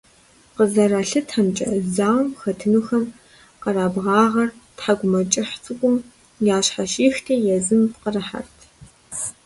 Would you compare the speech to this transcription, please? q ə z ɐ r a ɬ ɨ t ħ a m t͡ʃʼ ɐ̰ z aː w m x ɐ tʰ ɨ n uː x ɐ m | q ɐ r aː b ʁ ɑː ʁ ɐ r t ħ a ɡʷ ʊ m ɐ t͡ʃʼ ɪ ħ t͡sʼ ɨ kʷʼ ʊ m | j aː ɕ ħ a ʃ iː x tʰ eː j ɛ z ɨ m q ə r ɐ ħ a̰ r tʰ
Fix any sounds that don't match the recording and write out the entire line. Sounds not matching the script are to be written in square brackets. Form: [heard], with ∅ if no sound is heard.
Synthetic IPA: q ə z ɐ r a ɬ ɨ t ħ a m t͡ʃʼ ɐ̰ z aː w m x ɐ tʰ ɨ n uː x ɐ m | q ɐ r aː b ʁ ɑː ʁ ɐ r t ħ a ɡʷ ʊ m ɐ t͡ʃʼ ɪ ħ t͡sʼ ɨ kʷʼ ʊ m | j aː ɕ ħ a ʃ iː x tʰ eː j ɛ z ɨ m q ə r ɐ ħ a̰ r tʰ

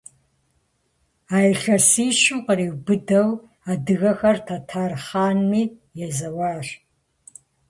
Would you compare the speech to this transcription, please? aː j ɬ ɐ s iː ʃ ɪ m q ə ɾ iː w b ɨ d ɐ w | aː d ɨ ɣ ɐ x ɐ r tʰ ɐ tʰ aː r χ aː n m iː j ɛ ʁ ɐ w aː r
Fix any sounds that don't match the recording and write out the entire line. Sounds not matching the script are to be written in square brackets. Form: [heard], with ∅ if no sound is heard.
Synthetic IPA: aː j ɬ ɐ s iː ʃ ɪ m q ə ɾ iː w b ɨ d ɐ w | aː d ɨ ɣ ɐ x ɐ r tʰ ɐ tʰ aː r χ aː n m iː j ɛ [z] ɐ w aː r

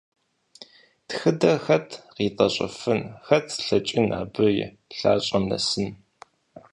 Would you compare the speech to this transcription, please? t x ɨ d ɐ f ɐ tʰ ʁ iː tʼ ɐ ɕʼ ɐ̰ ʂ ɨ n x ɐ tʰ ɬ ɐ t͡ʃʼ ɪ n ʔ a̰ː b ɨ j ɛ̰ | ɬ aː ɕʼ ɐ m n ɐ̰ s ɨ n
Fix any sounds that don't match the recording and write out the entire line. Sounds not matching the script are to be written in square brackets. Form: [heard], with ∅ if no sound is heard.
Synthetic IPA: t x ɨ d ɐ [x] ɐ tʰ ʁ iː tʼ ɐ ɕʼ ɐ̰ [f] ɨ n x ɐ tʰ ɬ ɐ t͡ʃʼ ɪ n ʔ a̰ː b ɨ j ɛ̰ | ɬ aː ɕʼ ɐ m n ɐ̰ s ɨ n

